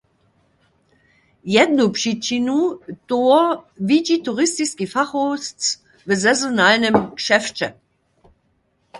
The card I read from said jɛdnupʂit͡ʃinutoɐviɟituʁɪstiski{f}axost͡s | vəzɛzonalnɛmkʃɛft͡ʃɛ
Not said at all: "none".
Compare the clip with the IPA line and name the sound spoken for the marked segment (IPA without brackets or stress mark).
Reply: f